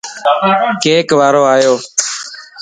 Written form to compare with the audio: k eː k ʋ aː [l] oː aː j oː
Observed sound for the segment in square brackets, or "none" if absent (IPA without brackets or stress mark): ɾ